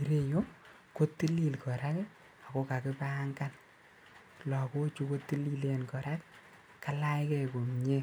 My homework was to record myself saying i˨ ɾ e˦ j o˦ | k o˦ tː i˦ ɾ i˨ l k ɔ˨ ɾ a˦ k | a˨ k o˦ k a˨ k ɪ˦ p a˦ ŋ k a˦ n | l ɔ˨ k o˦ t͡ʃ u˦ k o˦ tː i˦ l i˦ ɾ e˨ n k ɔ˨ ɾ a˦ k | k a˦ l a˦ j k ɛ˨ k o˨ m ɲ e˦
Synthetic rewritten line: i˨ ɾ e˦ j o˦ | k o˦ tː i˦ l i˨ l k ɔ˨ ɾ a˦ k | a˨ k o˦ k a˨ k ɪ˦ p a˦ ŋ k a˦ n | l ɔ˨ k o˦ t͡ʃ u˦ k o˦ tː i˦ l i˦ l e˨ n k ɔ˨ ɾ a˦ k | k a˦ l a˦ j k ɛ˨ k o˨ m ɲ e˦